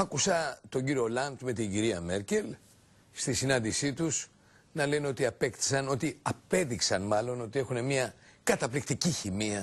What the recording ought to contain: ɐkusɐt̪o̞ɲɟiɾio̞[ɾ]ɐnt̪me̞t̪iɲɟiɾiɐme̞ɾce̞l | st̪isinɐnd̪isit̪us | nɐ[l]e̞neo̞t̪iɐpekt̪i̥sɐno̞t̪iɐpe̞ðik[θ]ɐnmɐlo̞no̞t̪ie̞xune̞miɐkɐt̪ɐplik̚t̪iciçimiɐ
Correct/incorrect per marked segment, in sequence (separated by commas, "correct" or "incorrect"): incorrect, correct, incorrect